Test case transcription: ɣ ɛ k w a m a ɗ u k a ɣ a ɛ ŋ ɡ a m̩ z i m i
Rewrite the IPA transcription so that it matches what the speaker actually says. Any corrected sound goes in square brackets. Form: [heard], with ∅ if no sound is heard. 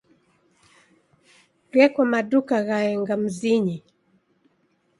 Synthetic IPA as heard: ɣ ɛ k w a m a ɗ u k a ɣ a ɛ ŋ ɡ a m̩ z i [ɲ] i